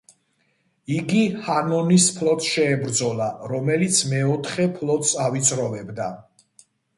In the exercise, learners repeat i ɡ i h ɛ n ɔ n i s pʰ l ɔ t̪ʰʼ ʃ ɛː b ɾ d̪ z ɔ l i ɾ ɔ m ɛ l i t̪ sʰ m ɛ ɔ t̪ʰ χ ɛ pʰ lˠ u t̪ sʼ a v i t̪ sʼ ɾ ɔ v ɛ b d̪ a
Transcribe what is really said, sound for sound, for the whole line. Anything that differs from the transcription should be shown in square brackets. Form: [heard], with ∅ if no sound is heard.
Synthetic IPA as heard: i ɡ i h [a] n ɔ n i s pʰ l ɔ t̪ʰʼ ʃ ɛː b ɾ d̪ z ɔ l [a] ɾ ɔ m ɛ l i t̪ sʰ m ɛ ɔ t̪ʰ χ ɛ pʰ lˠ [ɔ] t̪ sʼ a v i t̪ sʼ ɾ ɔ v ɛ b d̪ a